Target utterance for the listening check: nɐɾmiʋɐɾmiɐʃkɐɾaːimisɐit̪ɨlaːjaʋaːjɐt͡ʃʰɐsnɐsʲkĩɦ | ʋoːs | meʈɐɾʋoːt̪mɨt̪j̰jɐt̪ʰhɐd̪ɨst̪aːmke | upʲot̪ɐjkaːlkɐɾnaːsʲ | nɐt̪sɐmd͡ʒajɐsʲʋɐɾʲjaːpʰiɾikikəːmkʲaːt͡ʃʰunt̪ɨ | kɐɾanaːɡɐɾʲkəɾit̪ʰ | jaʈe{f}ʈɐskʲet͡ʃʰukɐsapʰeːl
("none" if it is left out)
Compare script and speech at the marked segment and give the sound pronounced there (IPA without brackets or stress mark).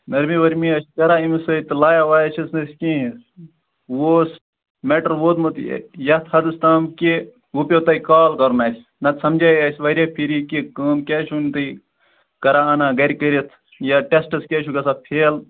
s